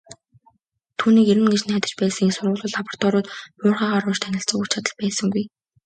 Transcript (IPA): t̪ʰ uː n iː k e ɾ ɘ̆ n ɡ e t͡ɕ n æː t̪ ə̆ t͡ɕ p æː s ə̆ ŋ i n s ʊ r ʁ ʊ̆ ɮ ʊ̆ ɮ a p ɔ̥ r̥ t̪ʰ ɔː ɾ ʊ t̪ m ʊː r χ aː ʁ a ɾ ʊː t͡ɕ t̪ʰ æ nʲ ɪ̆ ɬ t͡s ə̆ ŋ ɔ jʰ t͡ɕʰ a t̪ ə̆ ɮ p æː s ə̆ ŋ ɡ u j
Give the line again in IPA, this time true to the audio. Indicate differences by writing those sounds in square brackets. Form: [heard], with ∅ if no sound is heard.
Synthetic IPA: t̪ʰ uː n iː k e ɾ ɘ̆ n ɡ e t͡ɕ n æː t̪ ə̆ t͡ɕ p æː s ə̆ ŋ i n s ʊ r ʁ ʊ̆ ɮ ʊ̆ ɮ a p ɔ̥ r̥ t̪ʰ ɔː ɾ [ʊː] t̪ m ʊː r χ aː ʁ a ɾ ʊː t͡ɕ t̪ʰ æ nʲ ɪ̆ ɬ t͡s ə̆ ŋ [u] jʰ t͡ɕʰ a t̪ ə̆ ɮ p æː s ə̆ ŋ ɡ u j